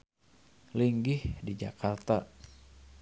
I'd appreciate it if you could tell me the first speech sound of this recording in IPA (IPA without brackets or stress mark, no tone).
l